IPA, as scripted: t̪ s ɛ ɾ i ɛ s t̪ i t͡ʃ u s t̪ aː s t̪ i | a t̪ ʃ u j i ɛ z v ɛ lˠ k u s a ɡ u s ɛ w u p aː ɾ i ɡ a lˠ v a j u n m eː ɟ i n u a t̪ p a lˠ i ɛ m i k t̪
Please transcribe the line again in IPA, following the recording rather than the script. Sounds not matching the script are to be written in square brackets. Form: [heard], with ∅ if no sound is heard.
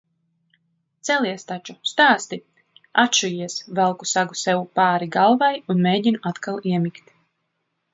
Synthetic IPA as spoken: t̪ s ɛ [l] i ɛ s t̪ [a] t͡ʃ u s t̪ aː s t̪ i | a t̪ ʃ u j i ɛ [s] v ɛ lˠ k u s a ɡ u s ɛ w u p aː ɾ i ɡ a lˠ v a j u n m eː ɟ i n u a t̪ [k] a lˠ i ɛ m i k t̪